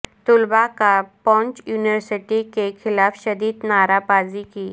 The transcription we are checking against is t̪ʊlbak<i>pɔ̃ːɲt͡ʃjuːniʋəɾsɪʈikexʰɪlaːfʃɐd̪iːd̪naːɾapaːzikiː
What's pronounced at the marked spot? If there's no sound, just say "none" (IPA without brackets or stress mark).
a